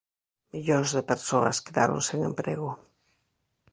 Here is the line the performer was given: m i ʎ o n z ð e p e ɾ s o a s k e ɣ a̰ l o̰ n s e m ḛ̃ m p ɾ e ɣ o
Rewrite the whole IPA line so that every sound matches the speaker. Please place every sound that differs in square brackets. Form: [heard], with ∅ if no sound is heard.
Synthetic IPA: m i ʎ o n z ð e p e ɾ s o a s k e [ð] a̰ [ɾ] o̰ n s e [ŋ] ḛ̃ m p ɾ e ɣ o